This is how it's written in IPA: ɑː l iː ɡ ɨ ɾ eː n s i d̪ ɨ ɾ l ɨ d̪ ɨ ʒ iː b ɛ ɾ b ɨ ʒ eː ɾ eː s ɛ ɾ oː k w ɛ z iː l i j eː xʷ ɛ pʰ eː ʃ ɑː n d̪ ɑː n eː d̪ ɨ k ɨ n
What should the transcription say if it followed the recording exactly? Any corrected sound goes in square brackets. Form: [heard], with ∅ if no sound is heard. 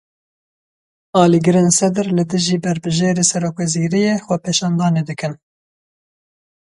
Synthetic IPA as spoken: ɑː l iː ɡ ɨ ɾ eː n s [ɛ] d̪ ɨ ɾ l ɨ d̪ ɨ ʒ iː b ɛ ɾ b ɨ ʒ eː ɾ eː s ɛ ɾ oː k w ɛ z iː [ɾ] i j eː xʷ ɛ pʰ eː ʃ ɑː n d̪ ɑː n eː d̪ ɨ k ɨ n